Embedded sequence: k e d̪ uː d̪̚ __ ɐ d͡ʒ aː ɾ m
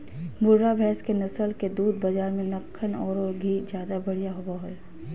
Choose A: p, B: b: B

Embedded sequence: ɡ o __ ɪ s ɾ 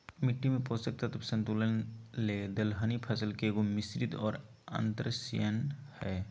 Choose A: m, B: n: A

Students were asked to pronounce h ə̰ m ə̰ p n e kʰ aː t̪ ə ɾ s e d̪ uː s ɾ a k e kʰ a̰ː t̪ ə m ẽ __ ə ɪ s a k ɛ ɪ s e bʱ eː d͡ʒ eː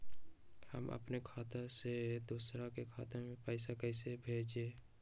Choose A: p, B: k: A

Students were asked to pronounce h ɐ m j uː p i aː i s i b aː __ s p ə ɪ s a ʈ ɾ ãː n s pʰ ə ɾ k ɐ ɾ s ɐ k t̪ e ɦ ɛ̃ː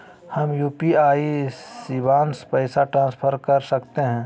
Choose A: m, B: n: B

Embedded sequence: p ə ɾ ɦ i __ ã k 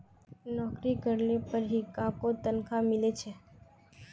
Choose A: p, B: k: B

